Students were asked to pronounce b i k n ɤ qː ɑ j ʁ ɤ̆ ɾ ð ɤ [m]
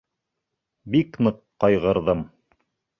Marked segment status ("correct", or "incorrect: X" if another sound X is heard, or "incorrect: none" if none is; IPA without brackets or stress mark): correct